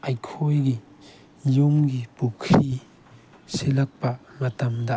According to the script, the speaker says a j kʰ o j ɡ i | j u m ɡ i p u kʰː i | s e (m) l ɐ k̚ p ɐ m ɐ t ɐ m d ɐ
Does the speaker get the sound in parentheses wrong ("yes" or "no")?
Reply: yes